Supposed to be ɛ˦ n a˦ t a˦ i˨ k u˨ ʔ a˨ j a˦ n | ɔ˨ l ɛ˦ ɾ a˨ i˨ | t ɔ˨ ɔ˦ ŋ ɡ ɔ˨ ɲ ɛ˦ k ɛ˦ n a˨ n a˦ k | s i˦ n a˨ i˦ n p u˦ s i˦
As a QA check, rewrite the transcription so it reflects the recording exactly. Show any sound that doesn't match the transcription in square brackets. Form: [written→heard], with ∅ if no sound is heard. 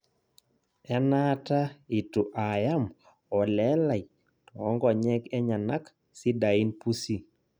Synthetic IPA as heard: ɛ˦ n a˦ t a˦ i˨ [k→t] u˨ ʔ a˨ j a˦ [n→m] | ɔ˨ l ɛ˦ [ɾ→l] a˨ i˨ | t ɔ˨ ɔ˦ ŋ ɡ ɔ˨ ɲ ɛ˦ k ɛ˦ [n→ɲ] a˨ n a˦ k | s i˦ [n→d] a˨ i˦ n p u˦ s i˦